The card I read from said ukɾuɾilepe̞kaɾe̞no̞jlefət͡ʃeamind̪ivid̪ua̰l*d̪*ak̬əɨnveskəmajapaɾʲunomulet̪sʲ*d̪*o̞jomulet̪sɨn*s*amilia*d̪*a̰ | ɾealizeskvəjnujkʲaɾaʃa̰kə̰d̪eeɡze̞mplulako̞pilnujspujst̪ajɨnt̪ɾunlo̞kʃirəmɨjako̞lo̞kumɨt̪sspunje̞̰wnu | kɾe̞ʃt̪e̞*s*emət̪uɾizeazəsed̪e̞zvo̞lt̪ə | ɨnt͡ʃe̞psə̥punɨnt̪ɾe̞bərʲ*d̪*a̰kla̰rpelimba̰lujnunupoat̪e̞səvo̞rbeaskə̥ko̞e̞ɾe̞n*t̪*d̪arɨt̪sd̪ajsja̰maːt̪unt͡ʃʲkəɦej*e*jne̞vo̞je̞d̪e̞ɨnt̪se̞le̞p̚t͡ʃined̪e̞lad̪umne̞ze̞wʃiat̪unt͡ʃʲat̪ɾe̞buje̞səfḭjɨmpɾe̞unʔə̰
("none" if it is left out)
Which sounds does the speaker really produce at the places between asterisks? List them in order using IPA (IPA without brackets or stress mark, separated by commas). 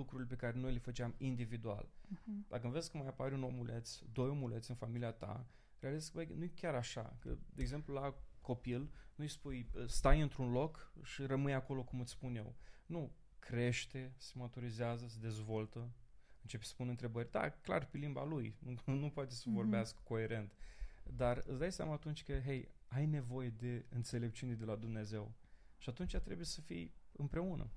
d̪, d̪, f, t̪, s, d̪, t̪, a